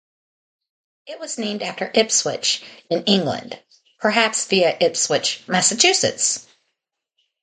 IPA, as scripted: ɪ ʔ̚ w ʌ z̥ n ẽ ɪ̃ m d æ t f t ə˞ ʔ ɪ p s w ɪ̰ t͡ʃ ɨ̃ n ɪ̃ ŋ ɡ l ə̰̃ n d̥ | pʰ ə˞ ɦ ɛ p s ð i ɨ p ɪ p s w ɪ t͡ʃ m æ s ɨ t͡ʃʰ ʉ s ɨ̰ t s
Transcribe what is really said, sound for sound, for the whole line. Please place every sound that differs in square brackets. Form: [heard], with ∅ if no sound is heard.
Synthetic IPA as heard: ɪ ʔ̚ w ʌ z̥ n ẽ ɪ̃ m d æ [∅] f t ə˞ ʔ ɪ p s w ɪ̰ t͡ʃ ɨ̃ n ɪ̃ ŋ ɡ l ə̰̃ n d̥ | pʰ ə˞ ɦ [æ] p s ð i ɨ [ʔ] ɪ p s w ɪ t͡ʃ m æ s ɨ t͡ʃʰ ʉ s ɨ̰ t s